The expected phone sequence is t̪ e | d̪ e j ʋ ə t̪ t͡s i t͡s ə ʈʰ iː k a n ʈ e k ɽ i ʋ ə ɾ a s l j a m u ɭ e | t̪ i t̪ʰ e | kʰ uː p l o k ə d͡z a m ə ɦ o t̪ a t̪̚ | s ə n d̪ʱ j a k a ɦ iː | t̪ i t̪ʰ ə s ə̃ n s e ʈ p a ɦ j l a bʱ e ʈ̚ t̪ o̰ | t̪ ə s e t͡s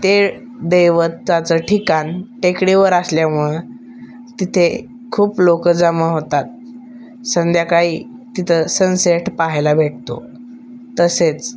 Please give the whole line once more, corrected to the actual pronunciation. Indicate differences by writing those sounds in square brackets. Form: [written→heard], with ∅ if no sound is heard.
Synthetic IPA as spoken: t̪ e | d̪ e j ʋ ə t̪ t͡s [i→a] t͡s ə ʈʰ [iː→i] k a n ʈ e k ɽ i ʋ ə ɾ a s l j a m u ɭ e | t̪ i t̪ʰ e | kʰ uː p l o k ə d͡z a m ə ɦ o t̪ a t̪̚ | s ə n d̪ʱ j a k a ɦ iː | t̪ i t̪ʰ ə s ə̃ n s e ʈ p a ɦ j l a bʱ e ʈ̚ t̪ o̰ | t̪ ə s e t͡s